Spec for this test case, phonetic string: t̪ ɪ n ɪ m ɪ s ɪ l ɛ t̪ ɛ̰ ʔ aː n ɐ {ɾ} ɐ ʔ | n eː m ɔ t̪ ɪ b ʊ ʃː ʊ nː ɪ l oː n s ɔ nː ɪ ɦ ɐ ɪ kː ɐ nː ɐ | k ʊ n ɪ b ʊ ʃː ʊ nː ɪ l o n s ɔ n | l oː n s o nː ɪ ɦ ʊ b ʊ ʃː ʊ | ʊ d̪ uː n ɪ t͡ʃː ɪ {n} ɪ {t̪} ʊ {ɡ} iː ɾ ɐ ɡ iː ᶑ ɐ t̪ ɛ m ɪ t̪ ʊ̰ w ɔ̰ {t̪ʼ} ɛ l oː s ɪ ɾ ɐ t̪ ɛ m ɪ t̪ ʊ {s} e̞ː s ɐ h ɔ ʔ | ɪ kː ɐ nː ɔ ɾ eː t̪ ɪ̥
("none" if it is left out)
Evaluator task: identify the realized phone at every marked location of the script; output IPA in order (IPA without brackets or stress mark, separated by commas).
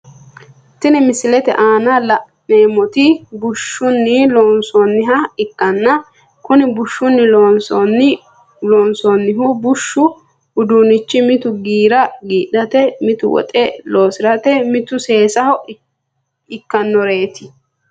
l, m, t̪, ɡ, t̪ʼ, s